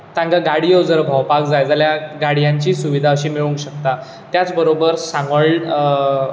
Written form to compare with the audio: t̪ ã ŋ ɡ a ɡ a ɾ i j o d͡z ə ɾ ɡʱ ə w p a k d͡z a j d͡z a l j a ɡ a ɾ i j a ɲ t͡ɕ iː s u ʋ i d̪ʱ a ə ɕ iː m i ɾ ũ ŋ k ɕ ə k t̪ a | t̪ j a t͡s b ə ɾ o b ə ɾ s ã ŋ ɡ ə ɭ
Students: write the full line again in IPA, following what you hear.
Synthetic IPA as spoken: t̪ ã ŋ ɡ a ɡ a ɽ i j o d͡z ə ɾ bʱ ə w p a k d͡z a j d͡z a l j a ɡ a ɽ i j a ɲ t͡ɕ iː s u ʋ i d̪ʱ a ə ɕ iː m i ɭ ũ ŋ k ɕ ə k t̪ a | t̪ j a t͡s b ə ɾ o b ə ɾ s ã ŋ ɡ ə ɭ

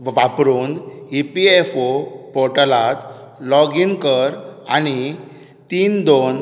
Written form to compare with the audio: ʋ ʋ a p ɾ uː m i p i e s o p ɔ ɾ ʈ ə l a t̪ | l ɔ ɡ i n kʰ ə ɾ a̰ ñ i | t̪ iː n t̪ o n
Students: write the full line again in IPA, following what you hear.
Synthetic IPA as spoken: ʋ ʋ a p ɾ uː n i p i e f o p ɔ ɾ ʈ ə l a t̪ | l ɔ ɡ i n k ə ɾ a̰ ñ i | t̪ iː n d̪ o n

